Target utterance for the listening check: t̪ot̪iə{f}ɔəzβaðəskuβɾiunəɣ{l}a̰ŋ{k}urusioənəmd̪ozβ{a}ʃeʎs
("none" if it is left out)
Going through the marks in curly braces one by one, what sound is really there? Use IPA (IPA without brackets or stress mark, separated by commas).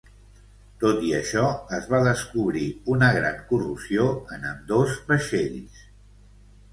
ʃ, ɾ, k, ə